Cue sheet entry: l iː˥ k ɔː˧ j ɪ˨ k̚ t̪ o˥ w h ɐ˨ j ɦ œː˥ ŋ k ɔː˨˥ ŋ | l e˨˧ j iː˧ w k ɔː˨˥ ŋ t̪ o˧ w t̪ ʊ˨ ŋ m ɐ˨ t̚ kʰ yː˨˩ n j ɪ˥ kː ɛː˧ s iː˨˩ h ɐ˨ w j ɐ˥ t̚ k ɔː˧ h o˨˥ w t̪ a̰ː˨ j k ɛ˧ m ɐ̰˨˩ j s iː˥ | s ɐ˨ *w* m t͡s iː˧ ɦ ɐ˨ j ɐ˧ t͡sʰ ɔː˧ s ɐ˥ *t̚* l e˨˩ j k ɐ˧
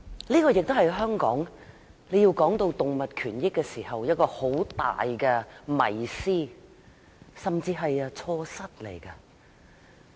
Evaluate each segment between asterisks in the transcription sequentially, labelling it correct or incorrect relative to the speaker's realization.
incorrect: none, correct

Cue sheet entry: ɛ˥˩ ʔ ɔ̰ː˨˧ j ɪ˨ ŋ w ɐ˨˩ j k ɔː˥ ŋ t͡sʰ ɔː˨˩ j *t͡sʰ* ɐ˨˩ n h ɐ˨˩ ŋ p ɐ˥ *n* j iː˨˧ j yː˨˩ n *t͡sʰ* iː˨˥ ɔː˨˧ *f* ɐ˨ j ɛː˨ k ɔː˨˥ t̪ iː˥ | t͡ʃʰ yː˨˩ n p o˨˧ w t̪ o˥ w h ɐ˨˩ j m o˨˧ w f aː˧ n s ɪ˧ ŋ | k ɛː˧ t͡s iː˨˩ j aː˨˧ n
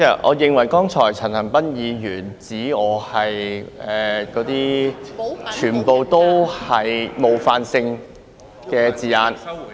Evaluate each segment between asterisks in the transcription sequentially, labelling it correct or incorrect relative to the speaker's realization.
correct, correct, incorrect: t͡s, incorrect: h

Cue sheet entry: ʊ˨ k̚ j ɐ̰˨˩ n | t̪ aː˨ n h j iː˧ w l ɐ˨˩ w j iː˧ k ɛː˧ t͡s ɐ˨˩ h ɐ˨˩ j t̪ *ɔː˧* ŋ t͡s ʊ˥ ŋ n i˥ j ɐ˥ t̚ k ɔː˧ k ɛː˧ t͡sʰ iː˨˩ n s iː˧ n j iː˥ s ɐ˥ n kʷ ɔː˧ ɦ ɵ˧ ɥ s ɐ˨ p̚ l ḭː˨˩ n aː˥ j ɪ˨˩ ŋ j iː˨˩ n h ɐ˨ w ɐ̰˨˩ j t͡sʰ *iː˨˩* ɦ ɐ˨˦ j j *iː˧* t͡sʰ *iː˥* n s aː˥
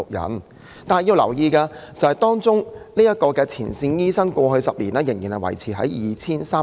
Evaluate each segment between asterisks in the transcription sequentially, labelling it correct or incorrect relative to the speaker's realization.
incorrect: ɔː˥, correct, correct, correct

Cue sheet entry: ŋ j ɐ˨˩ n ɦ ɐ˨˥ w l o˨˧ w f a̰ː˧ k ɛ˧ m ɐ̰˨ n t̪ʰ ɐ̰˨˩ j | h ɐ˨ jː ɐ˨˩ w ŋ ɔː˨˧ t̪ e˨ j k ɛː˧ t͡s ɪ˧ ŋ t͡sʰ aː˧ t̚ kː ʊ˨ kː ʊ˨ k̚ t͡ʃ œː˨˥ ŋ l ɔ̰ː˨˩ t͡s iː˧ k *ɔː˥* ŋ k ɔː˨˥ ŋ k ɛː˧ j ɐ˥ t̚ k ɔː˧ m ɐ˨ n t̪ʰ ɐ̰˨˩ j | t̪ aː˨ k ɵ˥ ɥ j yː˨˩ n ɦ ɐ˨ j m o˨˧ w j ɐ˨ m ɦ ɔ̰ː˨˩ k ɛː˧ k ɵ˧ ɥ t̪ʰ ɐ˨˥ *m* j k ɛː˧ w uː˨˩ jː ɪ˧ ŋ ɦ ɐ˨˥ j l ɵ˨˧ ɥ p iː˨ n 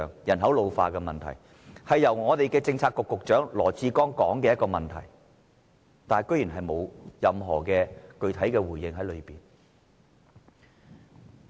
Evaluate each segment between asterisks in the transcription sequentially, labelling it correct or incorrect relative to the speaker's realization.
correct, incorrect: none

